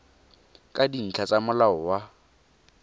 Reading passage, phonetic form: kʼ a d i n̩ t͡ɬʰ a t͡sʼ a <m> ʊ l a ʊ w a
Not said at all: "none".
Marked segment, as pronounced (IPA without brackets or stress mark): m